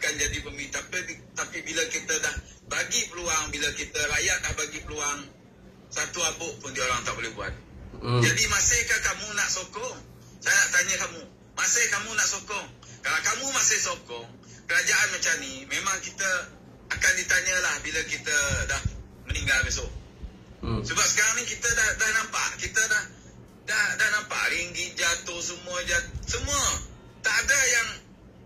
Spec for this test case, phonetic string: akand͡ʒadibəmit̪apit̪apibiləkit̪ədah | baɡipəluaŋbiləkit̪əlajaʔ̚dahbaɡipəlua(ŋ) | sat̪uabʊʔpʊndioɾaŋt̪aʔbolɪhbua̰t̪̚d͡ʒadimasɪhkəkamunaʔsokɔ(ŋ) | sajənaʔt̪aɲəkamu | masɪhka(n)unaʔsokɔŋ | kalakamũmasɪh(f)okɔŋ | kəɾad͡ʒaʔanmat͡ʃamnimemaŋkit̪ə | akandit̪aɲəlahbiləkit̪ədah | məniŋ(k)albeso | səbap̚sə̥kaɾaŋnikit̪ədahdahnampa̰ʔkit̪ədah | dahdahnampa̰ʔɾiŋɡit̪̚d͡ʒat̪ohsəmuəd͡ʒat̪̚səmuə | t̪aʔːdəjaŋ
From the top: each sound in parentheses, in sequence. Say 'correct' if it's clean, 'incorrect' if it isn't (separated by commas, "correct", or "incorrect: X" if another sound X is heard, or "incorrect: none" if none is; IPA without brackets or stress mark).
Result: correct, correct, incorrect: m, incorrect: s, incorrect: ɡ